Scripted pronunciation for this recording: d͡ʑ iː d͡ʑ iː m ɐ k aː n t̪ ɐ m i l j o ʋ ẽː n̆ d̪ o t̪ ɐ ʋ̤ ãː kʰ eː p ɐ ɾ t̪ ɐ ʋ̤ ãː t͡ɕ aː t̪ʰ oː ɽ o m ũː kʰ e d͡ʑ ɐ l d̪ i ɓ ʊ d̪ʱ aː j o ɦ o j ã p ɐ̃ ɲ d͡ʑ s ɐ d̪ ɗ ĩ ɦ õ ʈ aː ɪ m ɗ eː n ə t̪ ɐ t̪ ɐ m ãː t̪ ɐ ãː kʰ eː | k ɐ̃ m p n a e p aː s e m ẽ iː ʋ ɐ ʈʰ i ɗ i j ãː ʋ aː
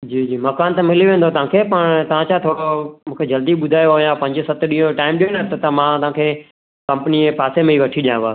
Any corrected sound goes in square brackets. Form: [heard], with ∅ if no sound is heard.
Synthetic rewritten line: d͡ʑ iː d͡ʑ iː m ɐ k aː n t̪ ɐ m [ɪ] l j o ʋ ẽː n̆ d̪ o t̪ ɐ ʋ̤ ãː kʰ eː p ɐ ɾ t̪ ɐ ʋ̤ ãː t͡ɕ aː t̪ʰ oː ɽ o m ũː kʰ e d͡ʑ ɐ l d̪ i ɓ ʊ d̪ʱ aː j o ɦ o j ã p ɐ̃ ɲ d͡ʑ s ɐ [t̪] ɗ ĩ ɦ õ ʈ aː ɪ m ɗ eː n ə t̪ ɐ t̪ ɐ m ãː t̪ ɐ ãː kʰ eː | k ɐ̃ m p n [i] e p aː s e m ẽ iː ʋ ɐ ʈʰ i ɗ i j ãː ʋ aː